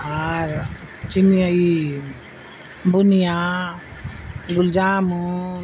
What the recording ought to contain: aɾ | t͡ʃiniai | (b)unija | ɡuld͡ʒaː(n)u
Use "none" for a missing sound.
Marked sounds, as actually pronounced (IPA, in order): b, m

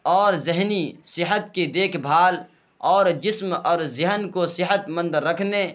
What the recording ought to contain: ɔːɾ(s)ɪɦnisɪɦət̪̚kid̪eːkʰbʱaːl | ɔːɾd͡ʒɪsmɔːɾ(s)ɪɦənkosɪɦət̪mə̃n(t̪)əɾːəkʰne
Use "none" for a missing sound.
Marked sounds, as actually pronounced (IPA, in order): z, z, d̪

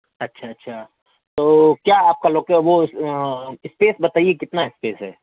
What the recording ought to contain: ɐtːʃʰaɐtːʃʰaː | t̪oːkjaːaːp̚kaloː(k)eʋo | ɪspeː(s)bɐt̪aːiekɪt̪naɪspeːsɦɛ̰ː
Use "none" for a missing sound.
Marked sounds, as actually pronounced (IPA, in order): k, s

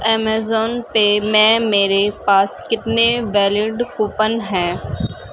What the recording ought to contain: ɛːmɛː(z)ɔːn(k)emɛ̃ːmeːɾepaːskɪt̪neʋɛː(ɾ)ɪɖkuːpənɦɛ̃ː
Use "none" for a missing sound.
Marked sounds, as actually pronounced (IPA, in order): z, p, l

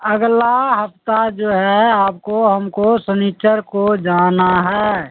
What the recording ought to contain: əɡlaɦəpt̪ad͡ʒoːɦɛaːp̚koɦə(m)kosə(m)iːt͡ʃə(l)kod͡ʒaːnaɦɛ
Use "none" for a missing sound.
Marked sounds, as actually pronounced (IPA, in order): m, n, ɾ

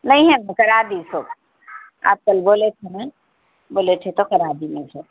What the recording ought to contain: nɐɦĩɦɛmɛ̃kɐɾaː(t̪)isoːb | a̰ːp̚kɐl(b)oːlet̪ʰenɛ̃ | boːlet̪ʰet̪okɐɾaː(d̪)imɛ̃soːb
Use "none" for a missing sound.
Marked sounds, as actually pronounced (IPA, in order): d̪, b, d̪

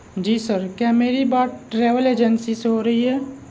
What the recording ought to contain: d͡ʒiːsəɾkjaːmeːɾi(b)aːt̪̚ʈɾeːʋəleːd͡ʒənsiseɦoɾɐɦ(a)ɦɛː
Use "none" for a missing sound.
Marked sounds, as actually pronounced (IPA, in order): b, i

